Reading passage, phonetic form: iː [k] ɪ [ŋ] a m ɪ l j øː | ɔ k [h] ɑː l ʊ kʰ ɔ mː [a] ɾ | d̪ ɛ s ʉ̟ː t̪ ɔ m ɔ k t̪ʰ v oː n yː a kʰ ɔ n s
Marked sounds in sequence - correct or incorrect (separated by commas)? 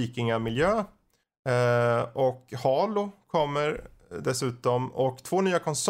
correct, correct, correct, incorrect